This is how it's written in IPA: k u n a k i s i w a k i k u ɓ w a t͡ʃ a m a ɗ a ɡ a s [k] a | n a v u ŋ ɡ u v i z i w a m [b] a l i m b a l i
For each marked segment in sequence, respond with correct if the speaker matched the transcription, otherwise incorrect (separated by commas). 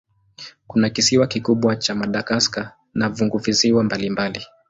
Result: correct, correct